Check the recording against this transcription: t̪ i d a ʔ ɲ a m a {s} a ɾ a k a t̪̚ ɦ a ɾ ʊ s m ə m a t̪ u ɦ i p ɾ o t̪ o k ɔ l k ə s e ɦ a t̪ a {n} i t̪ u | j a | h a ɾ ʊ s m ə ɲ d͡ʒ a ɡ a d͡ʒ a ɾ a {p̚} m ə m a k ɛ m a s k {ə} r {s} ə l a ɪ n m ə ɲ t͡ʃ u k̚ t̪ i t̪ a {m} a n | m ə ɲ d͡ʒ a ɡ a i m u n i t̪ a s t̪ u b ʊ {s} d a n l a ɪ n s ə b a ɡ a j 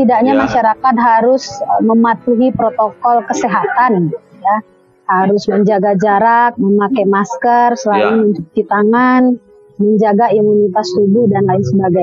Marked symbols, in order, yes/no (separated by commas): no, yes, no, yes, yes, no, no